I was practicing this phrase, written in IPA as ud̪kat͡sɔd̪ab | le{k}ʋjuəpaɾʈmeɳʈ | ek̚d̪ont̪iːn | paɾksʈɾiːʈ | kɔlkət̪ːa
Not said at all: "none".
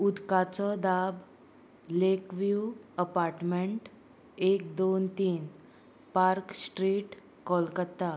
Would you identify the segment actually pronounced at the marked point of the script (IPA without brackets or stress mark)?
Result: k